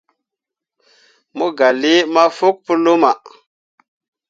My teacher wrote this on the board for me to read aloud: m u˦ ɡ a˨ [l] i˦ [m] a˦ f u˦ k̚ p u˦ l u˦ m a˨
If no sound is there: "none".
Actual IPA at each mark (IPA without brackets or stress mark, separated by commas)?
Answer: l, m